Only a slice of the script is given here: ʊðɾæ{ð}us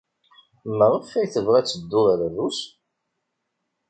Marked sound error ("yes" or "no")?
no